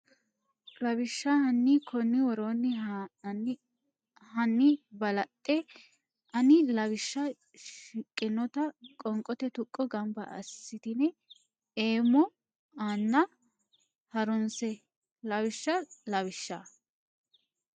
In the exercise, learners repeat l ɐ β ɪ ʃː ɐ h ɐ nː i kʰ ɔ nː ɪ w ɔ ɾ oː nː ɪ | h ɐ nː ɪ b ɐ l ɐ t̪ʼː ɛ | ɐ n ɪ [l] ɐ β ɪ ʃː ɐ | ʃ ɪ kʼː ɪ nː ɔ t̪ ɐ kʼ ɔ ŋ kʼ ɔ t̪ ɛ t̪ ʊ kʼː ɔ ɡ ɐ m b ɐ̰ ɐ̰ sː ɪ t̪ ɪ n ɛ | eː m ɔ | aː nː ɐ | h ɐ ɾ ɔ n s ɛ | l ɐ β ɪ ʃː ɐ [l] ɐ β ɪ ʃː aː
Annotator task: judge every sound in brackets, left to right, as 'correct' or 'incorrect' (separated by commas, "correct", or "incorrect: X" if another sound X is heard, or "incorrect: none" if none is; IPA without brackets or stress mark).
correct, correct